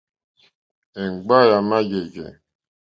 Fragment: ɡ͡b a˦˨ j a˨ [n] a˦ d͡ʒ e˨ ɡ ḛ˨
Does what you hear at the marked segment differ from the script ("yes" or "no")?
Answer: yes